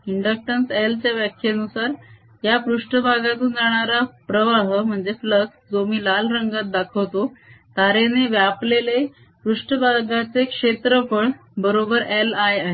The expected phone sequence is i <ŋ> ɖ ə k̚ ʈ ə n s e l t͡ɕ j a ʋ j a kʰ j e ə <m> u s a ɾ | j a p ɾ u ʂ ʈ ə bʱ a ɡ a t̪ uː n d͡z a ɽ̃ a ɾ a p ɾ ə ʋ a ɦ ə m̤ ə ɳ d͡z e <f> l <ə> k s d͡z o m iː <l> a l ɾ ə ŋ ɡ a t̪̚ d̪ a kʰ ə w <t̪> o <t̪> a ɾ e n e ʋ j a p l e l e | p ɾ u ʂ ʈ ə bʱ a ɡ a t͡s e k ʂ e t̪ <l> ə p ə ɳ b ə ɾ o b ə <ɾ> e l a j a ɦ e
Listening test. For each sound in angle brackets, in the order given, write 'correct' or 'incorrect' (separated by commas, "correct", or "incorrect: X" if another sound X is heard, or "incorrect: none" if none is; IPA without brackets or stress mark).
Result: incorrect: ɳ, incorrect: n, correct, correct, correct, correct, correct, incorrect: ɾ, correct